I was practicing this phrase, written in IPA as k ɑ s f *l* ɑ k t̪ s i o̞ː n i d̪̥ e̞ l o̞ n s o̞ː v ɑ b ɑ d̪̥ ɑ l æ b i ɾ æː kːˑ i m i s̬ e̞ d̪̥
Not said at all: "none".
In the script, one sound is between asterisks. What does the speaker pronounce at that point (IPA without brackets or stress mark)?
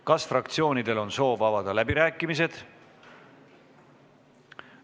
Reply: r